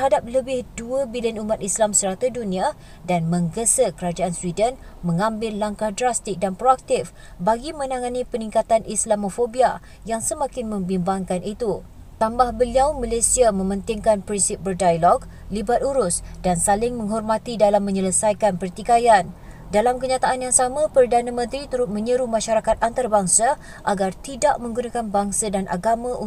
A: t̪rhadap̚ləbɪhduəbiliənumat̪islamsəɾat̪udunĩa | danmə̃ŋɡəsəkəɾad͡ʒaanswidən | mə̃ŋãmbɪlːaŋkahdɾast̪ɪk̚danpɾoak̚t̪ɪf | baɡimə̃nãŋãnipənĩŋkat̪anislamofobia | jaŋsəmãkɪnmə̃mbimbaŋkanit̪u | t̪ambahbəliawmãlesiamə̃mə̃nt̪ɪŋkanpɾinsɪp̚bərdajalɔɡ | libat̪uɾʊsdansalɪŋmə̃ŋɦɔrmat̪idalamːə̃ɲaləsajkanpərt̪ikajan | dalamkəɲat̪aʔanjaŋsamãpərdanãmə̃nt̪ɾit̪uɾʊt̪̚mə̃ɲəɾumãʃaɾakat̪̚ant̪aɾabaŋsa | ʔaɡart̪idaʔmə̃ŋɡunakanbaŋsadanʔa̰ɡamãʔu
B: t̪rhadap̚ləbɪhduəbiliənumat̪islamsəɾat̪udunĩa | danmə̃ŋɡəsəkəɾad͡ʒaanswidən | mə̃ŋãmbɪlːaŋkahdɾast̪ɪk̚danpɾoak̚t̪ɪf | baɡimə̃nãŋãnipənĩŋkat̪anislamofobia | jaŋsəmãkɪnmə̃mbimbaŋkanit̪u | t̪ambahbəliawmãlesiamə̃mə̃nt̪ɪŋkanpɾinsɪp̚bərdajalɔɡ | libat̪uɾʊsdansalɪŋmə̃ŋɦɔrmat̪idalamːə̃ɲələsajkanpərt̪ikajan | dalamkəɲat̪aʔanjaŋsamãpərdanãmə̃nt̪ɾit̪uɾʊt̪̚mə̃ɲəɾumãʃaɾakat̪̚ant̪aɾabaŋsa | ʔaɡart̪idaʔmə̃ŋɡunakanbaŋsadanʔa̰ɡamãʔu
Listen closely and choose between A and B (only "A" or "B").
B